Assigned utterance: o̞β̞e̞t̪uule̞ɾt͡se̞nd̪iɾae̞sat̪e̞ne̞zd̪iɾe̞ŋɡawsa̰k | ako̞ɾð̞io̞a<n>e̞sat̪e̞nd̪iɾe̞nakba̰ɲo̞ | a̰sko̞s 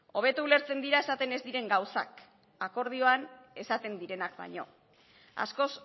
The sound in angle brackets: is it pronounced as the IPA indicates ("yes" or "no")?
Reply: yes